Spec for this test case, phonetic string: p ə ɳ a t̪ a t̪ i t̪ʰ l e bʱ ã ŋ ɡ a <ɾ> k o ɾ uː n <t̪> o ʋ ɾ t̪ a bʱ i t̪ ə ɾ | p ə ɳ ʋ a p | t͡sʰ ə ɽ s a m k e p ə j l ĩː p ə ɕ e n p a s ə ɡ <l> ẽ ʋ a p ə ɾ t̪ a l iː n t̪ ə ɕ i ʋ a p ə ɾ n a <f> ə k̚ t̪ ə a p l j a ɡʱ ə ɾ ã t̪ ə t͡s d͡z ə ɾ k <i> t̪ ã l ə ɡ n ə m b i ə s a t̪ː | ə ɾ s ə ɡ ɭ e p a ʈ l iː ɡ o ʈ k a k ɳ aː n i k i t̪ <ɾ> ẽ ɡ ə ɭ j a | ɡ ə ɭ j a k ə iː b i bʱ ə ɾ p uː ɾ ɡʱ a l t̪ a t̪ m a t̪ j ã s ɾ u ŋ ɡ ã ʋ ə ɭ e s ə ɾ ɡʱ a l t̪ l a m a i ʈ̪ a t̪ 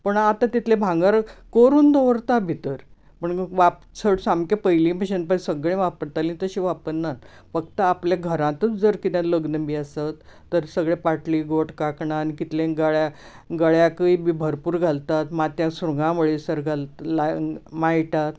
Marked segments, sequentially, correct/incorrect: correct, incorrect: d̪, incorrect: ɭ, correct, correct, incorrect: l

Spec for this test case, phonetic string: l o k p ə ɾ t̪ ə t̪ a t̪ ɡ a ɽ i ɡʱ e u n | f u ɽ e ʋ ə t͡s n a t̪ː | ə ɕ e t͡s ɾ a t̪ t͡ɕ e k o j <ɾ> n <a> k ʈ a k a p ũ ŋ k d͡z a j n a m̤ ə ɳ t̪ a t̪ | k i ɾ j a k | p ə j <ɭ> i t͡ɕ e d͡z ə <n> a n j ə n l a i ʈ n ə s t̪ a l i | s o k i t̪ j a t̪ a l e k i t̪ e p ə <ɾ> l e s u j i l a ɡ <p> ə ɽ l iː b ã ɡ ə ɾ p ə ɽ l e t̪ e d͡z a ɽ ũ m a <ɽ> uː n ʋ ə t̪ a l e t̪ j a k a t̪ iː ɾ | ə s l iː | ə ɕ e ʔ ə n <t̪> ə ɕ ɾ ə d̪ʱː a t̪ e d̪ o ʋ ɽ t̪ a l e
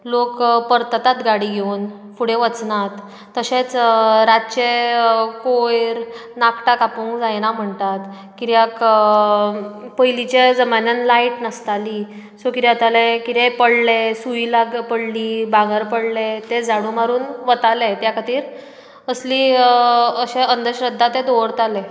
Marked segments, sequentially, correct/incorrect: correct, correct, incorrect: l, incorrect: m, incorrect: ɽ, correct, incorrect: ɾ, incorrect: d̪

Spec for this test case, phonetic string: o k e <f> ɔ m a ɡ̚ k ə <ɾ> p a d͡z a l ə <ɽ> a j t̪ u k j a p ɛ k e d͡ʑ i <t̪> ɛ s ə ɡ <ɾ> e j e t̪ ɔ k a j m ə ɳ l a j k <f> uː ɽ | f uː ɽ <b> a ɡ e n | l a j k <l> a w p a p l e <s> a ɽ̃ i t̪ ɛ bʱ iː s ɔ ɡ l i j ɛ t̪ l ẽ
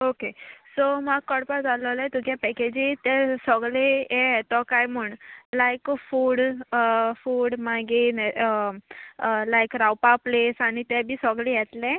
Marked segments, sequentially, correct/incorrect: incorrect: s, incorrect: ɽ, incorrect: l, correct, incorrect: l, correct, incorrect: m, incorrect: ɾ, correct

